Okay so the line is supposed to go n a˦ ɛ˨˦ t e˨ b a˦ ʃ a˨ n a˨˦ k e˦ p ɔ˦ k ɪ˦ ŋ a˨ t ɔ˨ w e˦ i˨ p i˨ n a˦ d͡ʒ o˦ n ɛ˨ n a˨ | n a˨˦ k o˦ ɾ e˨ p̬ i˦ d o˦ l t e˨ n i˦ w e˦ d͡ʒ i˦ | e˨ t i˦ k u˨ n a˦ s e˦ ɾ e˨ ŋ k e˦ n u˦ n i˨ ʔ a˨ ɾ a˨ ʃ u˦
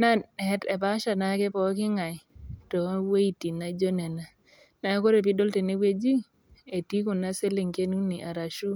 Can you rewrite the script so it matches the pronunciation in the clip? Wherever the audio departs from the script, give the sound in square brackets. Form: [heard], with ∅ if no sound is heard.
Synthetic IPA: n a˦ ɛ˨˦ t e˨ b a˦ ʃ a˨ n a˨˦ k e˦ p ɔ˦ k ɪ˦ ŋ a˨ t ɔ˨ w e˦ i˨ [t] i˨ n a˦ d͡ʒ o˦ n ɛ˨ n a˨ | n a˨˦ k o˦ ɾ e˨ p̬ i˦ d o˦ l t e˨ n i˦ w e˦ d͡ʒ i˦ | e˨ t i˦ k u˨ n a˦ s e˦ [l] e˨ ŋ k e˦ n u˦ n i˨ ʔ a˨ ɾ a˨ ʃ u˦